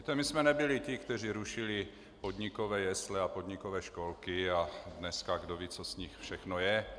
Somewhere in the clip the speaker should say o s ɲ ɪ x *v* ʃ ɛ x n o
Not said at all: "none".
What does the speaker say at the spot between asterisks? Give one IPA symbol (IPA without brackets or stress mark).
f